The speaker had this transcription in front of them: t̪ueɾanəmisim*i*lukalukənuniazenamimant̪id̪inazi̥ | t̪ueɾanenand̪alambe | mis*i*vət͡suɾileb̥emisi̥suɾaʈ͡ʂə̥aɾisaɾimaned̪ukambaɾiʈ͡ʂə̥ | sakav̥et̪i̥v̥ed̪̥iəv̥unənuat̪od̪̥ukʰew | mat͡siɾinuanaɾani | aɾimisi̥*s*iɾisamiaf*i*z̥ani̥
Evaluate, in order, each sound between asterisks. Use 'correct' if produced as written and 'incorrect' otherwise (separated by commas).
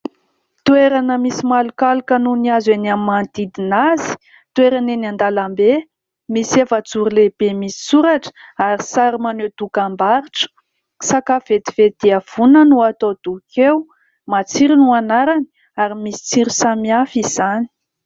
incorrect, incorrect, incorrect, correct